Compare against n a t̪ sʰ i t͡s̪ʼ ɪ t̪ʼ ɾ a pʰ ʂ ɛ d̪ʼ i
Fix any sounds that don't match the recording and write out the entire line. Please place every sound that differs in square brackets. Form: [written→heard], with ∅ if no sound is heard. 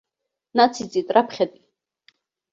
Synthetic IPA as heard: n a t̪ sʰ i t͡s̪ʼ [ɪ→i] t̪ʼ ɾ a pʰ [ʂ→χ] ɛ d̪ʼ i